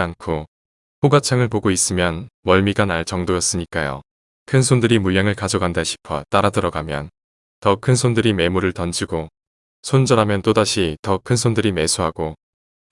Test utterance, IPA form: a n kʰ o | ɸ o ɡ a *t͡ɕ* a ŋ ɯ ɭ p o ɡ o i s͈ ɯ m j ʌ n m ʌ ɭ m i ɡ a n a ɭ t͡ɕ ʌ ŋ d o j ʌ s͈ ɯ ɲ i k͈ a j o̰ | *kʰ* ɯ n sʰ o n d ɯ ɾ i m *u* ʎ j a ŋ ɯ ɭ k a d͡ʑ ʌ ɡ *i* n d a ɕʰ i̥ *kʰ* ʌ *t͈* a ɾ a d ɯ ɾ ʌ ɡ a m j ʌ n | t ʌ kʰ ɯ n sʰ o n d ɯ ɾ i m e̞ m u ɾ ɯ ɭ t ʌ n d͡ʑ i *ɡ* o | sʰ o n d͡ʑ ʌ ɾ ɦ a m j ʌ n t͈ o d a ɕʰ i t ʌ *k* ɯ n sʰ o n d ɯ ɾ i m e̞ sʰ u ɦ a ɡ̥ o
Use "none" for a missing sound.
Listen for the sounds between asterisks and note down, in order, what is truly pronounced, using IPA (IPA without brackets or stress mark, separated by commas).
t͡ɕʰ, kʰ, u, a, pʰ, t͈, ɡ, kʰ